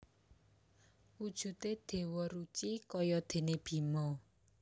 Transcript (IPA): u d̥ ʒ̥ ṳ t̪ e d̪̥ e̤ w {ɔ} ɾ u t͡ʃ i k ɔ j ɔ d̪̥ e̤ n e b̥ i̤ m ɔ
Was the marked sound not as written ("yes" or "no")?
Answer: no